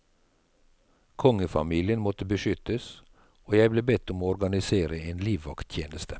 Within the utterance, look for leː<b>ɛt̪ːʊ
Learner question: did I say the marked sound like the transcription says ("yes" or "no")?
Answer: yes